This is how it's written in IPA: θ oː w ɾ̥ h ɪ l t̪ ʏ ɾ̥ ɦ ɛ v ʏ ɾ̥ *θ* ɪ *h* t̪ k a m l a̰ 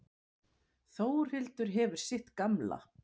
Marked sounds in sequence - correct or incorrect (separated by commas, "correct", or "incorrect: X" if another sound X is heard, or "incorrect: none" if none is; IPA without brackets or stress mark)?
incorrect: s, correct